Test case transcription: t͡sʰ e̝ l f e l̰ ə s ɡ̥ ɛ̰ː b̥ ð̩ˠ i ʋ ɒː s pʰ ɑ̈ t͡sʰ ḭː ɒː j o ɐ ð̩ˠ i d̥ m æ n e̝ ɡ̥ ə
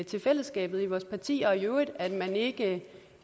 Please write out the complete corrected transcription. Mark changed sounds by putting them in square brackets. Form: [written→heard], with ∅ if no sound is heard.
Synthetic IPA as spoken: t͡sʰ e̝ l f e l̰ ə s ɡ̥ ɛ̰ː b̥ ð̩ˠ i ʋ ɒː s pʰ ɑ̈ t͡sʰ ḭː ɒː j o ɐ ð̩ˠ [i→æ] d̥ m æ n e̝ ɡ̥ ə